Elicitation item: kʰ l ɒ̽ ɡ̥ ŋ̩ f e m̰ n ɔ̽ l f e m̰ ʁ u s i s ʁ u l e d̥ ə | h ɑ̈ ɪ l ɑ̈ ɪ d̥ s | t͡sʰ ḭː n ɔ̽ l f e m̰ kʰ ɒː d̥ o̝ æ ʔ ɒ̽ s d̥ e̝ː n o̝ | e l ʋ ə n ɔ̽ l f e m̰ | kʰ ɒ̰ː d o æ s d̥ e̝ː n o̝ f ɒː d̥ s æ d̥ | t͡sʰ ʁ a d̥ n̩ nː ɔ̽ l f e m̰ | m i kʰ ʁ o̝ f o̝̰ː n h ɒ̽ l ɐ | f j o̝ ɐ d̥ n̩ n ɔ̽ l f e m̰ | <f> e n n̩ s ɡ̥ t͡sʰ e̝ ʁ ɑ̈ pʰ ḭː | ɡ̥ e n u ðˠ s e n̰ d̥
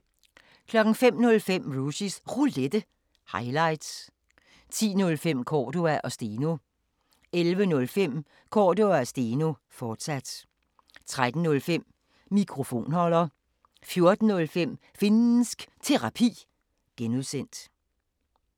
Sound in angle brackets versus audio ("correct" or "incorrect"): correct